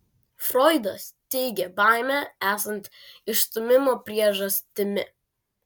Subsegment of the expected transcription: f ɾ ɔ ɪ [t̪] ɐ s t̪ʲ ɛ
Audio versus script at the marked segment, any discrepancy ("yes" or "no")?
yes